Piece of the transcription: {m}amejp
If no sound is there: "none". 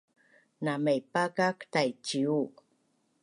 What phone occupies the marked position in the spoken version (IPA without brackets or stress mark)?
n